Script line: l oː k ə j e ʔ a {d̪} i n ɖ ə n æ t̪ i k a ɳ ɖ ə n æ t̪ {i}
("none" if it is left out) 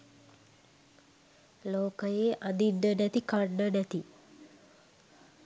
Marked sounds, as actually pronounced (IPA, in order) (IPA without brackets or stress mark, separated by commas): d̪, i